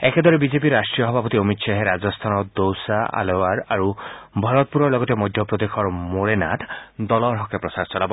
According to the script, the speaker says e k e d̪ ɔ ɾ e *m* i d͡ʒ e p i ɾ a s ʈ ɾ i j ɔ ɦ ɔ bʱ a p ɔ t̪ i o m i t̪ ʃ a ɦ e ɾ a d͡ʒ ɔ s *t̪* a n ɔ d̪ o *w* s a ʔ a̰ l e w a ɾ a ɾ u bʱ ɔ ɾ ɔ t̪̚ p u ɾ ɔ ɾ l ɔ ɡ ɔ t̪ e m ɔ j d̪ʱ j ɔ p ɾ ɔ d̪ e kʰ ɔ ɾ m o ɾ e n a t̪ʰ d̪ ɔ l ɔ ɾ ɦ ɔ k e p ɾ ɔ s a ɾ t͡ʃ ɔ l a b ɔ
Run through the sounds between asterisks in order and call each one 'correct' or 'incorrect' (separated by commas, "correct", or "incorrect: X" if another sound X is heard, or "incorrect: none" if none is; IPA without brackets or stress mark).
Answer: incorrect: b, incorrect: t̪ʰ, correct